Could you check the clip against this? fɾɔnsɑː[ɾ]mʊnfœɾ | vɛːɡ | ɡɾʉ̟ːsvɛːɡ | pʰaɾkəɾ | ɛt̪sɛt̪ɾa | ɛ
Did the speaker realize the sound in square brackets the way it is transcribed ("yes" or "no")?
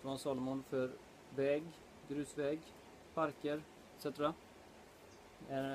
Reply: no